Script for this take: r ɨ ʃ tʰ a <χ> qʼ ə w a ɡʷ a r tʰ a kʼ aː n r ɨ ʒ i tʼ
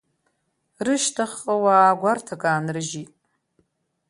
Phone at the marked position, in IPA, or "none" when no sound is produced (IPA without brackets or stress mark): χ